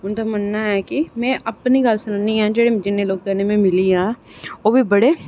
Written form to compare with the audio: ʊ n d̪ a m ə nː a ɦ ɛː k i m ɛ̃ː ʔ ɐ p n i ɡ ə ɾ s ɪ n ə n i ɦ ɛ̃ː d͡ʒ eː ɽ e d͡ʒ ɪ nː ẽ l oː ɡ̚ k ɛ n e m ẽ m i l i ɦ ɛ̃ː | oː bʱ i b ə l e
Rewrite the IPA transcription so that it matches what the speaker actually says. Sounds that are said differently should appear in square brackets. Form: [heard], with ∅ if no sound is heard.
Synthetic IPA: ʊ n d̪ a m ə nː a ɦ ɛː k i m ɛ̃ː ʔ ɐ p n i ɡ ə [l] s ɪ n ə n i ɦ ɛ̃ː d͡ʒ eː ɽ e d͡ʒ ɪ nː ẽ l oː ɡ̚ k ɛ n e m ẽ m [ɪ] l i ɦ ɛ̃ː | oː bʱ i b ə [ɽ] e